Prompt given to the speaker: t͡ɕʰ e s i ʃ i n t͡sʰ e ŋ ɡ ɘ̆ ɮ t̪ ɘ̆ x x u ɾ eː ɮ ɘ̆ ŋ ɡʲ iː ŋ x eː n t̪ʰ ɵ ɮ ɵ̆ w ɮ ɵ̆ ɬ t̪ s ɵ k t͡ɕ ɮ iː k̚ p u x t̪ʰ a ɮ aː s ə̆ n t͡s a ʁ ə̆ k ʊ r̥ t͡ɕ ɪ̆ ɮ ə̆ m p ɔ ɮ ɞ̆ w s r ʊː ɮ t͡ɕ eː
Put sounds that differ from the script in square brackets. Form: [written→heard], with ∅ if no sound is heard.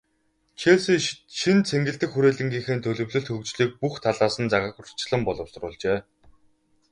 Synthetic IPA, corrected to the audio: t͡ɕʰ e s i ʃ i n t͡sʰ e ŋ ɡ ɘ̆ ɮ t̪ ɘ̆ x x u ɾ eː ɮ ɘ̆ ŋ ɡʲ iː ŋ x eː n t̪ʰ ɵ ɮ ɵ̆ w ɮ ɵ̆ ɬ t̪ [s→x] ɵ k t͡ɕ ɮ iː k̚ p u x t̪ʰ a ɮ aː s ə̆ n t͡s a ʁ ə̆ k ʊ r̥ t͡ɕ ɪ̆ ɮ ə̆ m p ɔ ɮ ɞ̆ w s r ʊː ɮ t͡ɕ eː